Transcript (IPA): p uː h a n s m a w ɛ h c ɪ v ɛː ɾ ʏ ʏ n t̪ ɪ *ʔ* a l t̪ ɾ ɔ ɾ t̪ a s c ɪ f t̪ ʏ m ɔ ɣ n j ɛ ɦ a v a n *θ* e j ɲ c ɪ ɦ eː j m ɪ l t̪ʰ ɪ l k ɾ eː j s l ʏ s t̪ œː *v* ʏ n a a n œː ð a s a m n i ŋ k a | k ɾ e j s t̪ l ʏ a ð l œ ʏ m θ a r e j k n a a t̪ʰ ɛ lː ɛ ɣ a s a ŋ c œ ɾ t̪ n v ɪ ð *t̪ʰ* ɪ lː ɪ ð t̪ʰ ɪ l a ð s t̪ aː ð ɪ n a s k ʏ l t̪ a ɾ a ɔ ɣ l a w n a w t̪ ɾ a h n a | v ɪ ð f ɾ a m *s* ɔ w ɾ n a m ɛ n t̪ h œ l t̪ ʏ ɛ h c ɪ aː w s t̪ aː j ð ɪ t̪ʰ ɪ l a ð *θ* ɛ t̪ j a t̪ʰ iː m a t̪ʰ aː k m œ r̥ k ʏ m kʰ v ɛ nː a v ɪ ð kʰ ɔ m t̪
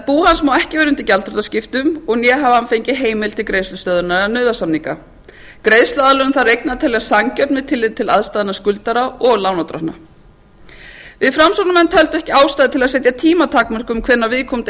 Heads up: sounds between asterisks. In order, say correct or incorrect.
incorrect: c, incorrect: f, incorrect: ð, correct, correct, incorrect: s

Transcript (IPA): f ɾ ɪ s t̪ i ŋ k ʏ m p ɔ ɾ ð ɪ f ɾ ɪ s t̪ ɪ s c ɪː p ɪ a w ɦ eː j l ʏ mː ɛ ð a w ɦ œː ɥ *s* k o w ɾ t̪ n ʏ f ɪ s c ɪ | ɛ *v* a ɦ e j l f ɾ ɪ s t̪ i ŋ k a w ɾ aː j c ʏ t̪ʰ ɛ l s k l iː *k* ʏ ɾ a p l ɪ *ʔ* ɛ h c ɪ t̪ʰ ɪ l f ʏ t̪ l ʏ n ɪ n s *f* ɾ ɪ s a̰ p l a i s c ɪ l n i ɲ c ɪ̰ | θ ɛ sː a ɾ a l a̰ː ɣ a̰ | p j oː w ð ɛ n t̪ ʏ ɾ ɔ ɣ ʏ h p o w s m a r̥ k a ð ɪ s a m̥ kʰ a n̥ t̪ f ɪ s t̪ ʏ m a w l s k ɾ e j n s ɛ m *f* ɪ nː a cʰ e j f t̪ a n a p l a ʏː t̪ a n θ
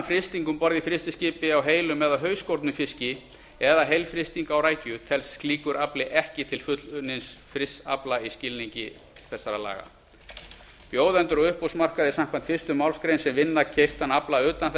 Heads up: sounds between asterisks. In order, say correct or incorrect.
correct, incorrect: ð, correct, correct, correct, incorrect: v

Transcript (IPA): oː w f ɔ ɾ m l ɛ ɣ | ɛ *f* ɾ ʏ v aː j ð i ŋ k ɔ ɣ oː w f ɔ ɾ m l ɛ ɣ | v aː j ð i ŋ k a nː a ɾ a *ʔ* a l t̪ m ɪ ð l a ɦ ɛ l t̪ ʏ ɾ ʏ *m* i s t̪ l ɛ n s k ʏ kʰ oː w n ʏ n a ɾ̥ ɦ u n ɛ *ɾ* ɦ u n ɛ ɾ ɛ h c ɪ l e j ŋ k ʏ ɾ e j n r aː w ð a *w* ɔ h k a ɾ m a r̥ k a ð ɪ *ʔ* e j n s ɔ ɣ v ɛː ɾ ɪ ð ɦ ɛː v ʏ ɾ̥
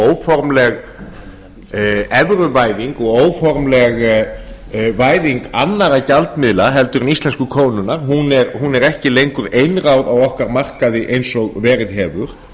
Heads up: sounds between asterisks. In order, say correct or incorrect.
incorrect: v, incorrect: c, incorrect: n, correct, correct, correct

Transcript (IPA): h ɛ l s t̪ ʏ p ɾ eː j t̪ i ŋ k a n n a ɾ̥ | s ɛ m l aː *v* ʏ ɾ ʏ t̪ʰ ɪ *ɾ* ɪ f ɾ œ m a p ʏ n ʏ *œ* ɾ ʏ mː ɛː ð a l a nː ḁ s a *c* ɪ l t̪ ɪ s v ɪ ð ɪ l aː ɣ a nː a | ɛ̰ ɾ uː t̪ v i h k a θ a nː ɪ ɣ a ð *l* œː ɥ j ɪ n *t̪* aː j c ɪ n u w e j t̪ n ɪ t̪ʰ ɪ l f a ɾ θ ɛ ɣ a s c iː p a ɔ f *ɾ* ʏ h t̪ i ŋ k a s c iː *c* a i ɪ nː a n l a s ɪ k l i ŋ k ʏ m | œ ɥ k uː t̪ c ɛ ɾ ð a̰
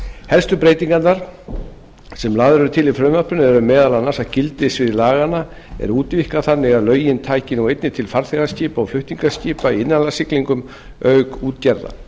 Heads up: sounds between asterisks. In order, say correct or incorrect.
incorrect: ð, incorrect: l, incorrect: ɛ, correct, correct, incorrect: t̪ʰ, incorrect: l, incorrect: p

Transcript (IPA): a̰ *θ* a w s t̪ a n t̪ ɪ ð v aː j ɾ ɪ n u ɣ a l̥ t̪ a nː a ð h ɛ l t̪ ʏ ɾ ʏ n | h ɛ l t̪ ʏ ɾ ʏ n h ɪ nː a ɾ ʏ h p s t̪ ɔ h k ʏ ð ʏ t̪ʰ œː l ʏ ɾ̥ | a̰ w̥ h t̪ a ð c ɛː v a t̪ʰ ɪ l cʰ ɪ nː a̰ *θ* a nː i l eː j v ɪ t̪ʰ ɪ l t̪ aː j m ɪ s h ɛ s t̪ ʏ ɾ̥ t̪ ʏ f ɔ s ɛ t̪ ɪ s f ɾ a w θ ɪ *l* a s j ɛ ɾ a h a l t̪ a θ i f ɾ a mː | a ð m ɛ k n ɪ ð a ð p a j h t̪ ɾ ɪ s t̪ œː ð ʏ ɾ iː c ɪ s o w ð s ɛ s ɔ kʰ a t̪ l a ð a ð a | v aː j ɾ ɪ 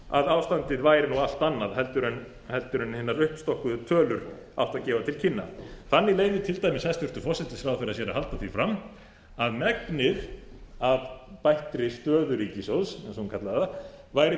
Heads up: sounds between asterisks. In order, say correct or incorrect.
incorrect: ð, correct, incorrect: ɾ

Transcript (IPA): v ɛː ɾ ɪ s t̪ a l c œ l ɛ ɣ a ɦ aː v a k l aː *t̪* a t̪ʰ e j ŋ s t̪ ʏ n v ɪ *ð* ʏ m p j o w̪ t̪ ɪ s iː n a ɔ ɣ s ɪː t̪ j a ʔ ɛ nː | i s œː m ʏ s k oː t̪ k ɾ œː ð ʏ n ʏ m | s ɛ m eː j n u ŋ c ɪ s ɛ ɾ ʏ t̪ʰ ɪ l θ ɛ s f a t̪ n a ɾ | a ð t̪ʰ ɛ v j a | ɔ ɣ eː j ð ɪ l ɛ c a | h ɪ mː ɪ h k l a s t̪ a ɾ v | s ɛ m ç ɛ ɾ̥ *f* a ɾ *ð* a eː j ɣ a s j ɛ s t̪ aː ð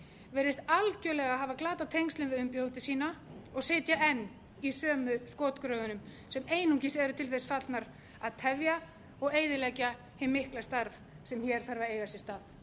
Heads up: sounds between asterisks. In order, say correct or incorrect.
correct, correct, incorrect: θ, incorrect: v

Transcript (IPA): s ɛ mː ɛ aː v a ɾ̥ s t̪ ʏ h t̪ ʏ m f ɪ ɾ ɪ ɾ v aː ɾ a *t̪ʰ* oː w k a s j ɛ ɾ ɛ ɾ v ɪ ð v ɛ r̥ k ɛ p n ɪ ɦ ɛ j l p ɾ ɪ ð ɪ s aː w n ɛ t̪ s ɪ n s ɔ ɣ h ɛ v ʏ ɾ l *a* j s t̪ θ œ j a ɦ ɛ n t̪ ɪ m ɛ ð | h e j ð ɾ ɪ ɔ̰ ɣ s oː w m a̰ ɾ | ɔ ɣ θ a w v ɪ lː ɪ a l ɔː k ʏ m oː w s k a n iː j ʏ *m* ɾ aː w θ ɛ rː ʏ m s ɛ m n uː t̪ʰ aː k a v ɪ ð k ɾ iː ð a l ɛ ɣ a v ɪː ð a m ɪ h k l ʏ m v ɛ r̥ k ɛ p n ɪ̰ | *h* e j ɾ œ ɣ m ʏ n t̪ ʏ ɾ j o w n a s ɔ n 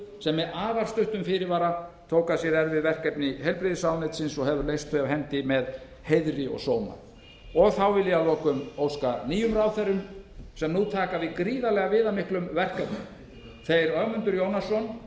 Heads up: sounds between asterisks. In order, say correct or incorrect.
correct, incorrect: e, correct, incorrect: θ

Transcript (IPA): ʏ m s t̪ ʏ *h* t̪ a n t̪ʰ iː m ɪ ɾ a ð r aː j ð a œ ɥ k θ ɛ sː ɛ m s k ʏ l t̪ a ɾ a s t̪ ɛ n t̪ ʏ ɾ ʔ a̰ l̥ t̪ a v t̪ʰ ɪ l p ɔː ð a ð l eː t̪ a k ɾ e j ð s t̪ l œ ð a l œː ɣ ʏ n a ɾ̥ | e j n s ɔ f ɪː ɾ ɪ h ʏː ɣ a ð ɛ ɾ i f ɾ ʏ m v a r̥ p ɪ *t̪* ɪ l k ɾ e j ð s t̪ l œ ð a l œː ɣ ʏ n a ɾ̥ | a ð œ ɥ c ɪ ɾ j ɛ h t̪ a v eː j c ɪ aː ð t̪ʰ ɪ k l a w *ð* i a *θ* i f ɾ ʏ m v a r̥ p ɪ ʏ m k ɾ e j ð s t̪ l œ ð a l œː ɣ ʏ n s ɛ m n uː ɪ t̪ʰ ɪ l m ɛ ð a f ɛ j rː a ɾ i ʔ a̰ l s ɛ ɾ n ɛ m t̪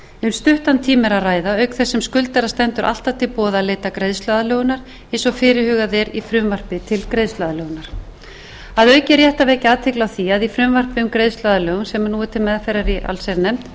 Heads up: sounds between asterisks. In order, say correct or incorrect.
correct, incorrect: t̪ʰ, incorrect: θ, incorrect: ð

